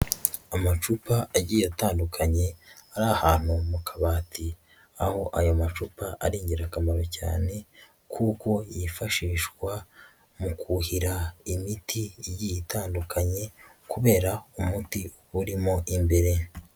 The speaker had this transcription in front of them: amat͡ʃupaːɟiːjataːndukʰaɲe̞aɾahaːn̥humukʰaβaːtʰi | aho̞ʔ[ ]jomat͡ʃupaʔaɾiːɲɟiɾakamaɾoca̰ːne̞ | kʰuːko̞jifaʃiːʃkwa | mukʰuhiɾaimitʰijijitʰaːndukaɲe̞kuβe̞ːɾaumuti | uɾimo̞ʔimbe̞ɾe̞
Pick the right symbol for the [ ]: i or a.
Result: a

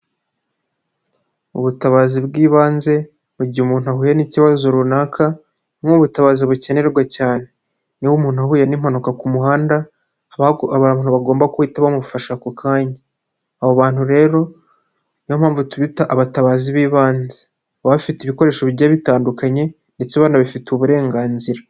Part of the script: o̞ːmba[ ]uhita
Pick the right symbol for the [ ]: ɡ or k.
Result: k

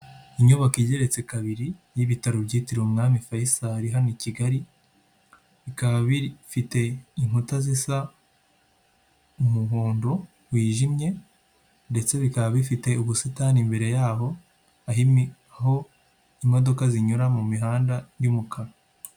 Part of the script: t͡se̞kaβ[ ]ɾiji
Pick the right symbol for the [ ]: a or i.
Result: i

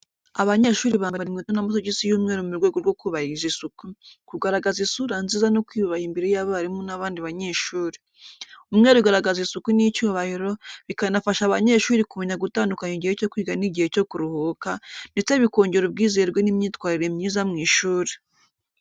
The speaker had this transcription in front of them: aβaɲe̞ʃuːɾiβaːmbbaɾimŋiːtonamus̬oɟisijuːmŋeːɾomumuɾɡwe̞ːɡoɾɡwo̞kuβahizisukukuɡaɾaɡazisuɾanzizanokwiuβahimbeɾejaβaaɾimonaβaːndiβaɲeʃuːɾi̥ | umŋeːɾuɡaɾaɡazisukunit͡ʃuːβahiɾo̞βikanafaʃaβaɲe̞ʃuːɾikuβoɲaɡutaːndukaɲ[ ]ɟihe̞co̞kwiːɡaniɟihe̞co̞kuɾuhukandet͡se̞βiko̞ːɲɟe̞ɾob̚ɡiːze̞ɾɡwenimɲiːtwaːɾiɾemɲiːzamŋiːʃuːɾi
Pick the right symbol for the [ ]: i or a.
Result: i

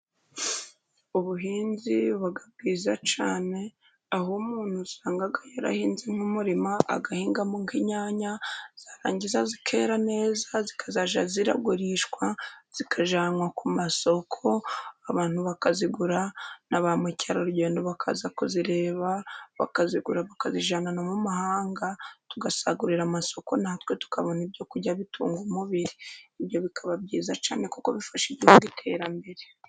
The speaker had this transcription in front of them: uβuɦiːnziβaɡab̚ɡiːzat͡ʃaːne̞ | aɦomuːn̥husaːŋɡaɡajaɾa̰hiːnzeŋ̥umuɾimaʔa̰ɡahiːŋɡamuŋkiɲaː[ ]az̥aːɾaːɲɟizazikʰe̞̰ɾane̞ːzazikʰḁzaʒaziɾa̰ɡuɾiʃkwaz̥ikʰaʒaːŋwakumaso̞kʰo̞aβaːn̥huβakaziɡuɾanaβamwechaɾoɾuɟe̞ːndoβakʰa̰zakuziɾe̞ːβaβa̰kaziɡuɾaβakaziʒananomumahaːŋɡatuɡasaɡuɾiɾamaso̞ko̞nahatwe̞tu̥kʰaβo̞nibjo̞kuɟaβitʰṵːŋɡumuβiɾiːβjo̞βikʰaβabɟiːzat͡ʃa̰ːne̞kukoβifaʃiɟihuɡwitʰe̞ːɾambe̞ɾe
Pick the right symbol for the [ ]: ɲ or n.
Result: ɲ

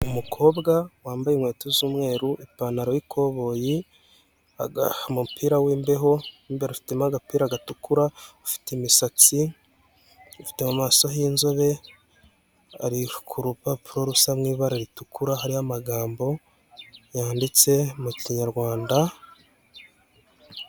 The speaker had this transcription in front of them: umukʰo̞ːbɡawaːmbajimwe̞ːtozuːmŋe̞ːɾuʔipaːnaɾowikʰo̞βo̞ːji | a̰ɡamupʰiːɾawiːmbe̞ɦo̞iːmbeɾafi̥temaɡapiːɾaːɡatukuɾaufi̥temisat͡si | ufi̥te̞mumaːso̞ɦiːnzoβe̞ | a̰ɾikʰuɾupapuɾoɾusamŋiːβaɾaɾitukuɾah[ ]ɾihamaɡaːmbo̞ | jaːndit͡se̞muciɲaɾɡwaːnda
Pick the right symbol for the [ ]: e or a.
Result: a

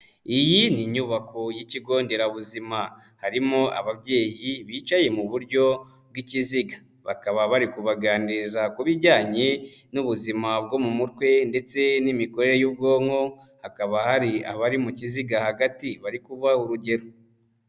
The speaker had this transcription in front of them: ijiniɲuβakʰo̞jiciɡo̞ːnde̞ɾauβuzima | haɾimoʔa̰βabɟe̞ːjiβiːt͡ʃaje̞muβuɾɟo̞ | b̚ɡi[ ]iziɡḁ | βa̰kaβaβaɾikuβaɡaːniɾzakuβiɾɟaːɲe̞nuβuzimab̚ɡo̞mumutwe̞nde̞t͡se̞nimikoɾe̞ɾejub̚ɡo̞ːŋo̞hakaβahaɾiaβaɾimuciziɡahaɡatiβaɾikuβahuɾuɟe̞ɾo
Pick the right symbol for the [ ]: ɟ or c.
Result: c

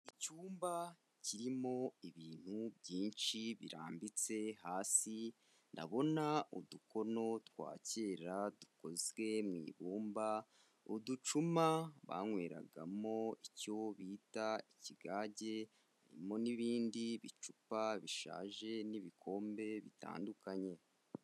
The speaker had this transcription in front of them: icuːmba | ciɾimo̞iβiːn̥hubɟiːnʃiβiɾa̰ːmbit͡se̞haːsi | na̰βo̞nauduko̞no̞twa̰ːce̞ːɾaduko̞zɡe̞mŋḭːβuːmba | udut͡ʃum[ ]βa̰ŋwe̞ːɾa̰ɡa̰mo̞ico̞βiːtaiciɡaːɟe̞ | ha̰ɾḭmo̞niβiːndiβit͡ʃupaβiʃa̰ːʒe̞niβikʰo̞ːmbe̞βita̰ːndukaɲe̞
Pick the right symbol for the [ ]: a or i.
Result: a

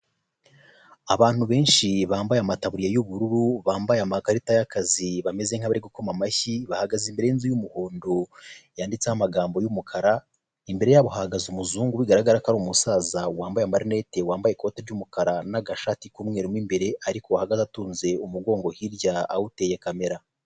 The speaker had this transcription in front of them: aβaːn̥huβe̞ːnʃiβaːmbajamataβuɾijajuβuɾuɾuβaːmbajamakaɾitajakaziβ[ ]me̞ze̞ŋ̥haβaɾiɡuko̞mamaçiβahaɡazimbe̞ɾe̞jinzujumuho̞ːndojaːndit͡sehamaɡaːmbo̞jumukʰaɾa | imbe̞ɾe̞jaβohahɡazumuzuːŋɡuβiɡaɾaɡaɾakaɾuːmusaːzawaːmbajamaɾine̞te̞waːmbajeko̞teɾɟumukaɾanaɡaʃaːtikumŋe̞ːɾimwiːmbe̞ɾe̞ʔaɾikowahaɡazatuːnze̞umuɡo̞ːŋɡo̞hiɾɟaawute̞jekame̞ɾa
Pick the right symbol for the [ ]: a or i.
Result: a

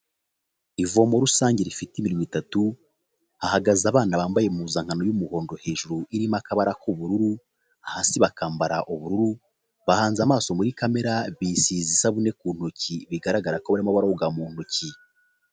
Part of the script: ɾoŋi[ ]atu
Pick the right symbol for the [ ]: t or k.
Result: t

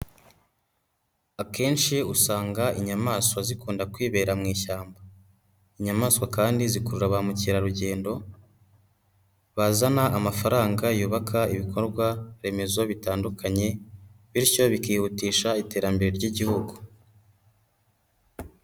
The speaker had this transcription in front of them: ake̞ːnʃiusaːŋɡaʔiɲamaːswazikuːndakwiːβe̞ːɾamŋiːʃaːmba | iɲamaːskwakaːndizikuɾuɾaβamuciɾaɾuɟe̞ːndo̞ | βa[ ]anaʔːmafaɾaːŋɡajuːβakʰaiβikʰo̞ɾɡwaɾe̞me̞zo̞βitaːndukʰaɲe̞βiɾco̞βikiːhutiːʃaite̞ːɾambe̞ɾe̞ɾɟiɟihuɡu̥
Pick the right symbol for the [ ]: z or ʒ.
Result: z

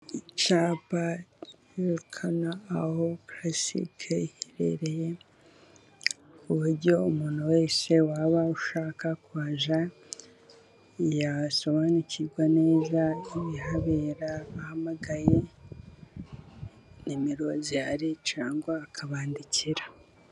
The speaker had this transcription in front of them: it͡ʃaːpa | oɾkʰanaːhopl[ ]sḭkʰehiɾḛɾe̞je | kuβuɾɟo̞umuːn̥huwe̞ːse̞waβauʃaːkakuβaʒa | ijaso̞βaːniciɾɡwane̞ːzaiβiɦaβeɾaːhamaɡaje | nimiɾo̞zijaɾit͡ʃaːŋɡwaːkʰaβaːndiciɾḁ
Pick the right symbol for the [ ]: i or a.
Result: a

